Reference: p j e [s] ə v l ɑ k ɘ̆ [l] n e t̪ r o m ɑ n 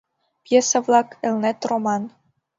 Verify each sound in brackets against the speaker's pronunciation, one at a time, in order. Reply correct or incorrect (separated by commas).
correct, correct